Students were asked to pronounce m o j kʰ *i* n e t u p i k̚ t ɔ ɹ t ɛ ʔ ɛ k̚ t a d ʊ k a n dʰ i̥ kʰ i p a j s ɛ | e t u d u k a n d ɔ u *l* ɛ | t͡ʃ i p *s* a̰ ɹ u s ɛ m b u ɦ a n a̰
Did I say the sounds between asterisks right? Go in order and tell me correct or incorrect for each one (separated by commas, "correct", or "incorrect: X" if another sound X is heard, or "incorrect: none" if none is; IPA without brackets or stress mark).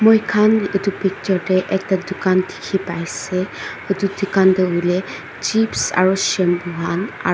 incorrect: a, correct, correct